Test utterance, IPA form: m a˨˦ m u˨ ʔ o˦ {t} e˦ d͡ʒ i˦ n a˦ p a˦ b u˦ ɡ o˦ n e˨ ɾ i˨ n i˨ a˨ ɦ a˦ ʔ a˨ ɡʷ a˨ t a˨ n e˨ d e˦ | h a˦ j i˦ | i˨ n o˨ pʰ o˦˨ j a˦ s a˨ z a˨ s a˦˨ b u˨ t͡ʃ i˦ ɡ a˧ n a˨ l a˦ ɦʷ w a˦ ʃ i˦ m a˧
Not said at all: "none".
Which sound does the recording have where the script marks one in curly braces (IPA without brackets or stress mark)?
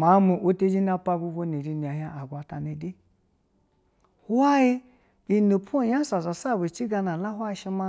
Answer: t